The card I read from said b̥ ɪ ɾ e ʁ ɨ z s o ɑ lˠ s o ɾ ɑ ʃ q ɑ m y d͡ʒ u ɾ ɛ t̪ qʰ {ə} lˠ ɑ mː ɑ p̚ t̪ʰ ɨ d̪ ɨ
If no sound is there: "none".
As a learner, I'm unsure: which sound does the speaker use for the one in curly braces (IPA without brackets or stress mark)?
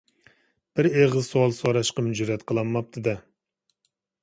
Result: ə